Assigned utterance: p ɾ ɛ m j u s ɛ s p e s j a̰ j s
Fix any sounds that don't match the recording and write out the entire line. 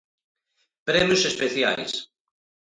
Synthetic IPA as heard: p ɾ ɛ m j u s e s p e θ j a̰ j s